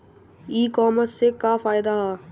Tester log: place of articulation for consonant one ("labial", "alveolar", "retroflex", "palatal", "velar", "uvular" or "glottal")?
velar